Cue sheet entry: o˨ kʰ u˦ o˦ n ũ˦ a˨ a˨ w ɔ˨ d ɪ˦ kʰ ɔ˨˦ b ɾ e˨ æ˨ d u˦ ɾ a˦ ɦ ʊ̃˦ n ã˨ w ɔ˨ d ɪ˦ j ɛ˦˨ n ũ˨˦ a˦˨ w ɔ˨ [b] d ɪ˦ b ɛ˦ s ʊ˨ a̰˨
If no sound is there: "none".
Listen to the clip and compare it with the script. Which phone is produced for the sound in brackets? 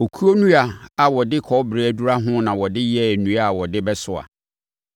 none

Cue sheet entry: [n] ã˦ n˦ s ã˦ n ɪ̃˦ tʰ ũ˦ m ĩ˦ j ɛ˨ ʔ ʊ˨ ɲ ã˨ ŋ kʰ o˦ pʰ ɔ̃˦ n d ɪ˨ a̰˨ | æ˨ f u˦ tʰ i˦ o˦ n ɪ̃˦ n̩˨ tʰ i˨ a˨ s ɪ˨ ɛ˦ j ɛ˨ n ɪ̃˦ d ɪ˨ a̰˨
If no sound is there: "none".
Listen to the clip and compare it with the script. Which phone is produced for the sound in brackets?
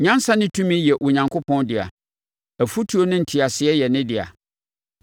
ɲ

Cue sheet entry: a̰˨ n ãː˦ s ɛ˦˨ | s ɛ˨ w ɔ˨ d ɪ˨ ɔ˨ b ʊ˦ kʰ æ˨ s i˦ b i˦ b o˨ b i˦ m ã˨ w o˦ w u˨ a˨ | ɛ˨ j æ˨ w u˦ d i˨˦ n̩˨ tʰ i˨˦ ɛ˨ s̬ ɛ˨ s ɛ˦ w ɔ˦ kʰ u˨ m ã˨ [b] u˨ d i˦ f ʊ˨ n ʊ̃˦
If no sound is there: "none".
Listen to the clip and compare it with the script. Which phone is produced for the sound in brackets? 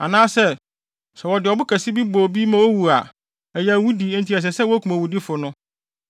w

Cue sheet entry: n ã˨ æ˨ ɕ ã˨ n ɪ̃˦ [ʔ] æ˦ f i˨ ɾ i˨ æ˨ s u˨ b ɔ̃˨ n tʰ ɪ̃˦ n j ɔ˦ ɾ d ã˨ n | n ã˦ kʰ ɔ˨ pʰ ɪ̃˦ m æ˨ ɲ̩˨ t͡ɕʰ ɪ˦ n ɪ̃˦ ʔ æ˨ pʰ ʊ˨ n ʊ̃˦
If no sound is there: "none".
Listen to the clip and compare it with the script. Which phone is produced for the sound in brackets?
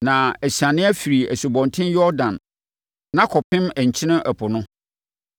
none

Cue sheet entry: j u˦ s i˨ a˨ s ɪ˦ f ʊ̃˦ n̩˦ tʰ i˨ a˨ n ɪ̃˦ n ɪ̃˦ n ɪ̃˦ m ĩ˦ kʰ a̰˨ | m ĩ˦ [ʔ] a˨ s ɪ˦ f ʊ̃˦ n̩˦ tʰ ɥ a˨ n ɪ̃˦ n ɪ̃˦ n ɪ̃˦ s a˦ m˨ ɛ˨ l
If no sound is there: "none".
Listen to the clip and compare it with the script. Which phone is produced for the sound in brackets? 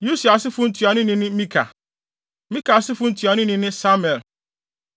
k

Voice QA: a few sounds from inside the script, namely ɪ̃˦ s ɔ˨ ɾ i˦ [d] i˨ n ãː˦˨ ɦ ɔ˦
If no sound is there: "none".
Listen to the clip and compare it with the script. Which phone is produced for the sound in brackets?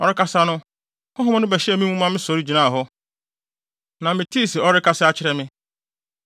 d͡ʑ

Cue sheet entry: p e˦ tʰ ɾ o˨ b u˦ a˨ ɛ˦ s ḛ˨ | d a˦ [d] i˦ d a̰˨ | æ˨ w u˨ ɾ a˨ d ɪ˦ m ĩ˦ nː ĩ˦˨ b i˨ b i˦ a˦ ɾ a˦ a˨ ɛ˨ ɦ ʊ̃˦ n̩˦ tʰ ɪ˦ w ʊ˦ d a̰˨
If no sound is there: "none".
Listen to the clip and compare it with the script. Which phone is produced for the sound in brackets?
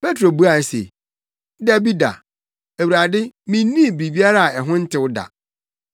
b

